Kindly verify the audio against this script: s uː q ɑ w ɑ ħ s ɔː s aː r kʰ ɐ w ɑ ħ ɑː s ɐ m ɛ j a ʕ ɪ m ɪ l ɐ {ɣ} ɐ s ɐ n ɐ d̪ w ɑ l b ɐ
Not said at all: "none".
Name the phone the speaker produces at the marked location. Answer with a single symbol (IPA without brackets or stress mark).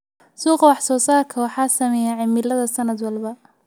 ð